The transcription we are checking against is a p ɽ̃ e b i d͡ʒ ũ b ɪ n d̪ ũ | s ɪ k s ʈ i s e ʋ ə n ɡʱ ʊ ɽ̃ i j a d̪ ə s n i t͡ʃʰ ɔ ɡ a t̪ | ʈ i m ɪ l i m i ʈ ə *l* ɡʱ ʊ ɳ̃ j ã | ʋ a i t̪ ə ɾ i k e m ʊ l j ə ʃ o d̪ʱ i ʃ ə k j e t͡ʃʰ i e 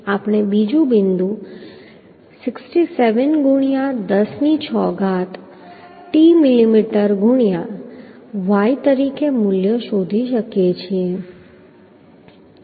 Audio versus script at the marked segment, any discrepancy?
yes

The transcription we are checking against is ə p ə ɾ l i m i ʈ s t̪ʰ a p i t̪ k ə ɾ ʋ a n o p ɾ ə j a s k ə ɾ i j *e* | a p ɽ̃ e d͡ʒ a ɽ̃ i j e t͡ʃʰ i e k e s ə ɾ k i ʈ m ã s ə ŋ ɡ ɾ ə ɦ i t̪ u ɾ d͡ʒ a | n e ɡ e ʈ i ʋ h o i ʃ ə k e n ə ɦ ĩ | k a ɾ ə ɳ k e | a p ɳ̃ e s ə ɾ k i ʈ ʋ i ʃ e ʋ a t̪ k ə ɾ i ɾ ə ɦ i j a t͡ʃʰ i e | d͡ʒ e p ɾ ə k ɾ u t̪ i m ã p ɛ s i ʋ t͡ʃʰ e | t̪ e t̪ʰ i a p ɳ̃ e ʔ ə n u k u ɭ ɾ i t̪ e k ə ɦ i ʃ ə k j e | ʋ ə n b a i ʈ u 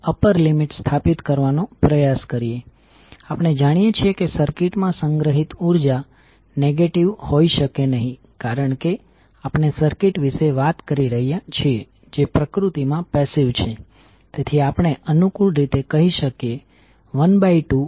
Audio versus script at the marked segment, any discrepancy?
no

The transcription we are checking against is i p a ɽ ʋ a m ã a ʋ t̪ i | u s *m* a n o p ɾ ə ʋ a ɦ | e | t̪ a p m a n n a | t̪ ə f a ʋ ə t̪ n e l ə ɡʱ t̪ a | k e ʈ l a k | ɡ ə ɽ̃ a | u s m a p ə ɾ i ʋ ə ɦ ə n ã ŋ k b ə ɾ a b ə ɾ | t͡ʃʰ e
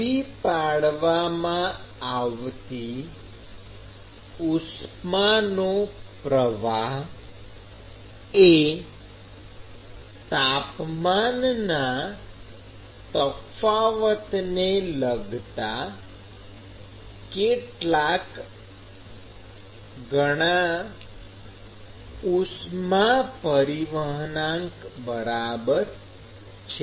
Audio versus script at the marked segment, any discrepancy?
no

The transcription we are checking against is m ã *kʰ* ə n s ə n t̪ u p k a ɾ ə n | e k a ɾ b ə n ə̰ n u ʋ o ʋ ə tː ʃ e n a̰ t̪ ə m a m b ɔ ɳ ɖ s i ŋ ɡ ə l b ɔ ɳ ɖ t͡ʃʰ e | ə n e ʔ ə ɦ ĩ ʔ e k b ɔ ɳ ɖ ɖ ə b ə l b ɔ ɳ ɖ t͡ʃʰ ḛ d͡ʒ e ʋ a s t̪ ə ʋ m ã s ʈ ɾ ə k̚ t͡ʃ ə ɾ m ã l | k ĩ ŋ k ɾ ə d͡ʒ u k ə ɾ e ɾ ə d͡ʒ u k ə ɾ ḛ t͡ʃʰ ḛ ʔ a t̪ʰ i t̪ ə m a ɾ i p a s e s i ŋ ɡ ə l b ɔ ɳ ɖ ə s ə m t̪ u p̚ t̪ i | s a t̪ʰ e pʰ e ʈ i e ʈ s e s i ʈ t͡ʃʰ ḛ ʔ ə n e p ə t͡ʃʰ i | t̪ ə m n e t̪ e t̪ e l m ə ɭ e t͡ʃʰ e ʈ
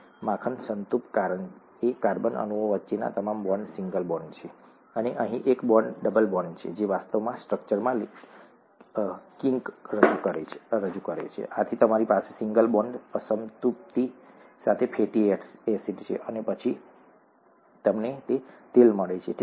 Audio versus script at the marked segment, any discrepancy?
no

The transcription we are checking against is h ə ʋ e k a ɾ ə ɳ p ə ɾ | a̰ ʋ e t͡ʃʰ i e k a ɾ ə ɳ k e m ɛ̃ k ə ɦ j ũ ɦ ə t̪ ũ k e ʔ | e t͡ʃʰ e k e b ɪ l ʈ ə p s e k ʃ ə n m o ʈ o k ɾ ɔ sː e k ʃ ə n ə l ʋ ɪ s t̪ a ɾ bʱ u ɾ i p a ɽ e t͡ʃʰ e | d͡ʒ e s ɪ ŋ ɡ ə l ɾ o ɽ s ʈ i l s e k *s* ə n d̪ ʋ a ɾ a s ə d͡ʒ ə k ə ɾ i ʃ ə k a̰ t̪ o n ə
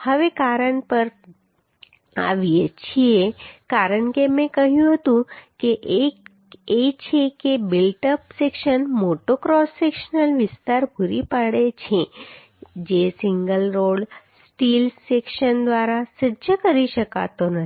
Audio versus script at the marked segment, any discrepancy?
yes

